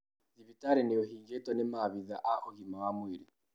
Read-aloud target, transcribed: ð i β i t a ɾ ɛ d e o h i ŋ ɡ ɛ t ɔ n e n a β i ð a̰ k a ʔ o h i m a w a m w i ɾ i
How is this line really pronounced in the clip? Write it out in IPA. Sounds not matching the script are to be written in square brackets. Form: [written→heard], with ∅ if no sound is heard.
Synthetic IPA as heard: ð i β i t a ɾ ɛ [d→n] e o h i ŋ ɡ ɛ t ɔ n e [n→m] a β i ð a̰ [k→ʔ] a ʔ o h i m a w a m w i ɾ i